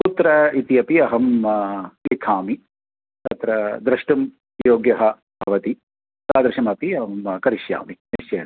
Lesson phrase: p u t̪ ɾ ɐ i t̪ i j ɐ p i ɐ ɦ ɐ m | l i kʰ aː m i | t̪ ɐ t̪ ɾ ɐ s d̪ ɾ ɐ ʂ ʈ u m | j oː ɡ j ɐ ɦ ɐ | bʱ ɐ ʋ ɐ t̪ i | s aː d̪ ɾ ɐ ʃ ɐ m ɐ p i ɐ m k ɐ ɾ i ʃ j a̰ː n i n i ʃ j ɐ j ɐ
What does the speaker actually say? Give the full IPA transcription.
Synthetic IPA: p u t̪ ɾ ɐ i t̪ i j ɐ p i ɐ ɦ ɐ m | l i kʰ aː m i | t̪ ɐ t̪ ɾ ɐ d̪ ɾ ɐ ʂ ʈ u m | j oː ɡ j ɐ ɦ ɐ | bʱ ɐ ʋ ɐ t̪ i | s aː d̪ ɾ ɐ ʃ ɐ m ɐ p i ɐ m k ɐ ɾ i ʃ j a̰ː m i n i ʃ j ɐ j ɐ